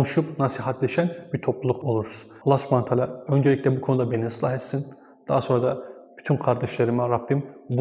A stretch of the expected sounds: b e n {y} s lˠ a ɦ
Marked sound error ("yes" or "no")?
yes